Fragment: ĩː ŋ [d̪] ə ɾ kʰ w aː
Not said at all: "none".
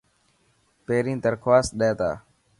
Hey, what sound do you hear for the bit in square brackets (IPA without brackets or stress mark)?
t̪